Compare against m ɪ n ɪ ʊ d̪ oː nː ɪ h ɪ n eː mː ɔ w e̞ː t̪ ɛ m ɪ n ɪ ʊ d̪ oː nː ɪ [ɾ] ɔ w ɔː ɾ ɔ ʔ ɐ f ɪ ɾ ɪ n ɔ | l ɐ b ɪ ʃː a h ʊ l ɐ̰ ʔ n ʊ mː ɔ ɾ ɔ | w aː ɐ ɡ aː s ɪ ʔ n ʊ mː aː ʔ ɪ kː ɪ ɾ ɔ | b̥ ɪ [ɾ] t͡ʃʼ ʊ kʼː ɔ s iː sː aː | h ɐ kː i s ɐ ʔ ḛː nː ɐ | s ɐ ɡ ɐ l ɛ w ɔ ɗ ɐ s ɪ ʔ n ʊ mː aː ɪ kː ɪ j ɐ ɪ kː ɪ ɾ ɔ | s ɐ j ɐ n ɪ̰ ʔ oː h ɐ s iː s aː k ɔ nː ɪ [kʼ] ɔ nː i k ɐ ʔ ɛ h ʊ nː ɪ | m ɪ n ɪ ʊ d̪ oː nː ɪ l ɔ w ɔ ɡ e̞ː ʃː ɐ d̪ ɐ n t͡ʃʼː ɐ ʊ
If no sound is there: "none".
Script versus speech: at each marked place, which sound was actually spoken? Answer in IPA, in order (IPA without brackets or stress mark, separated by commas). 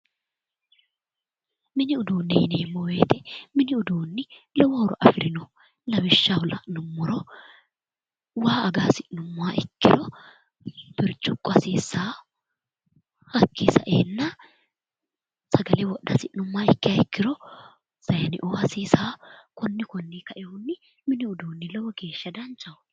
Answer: l, ɾ, k